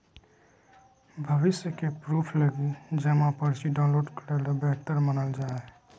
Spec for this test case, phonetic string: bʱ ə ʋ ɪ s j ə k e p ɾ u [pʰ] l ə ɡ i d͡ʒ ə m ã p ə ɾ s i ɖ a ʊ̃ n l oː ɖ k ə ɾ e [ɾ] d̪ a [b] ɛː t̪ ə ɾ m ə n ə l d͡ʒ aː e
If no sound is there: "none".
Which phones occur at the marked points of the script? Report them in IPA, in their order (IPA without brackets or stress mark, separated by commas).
pʰ, l, b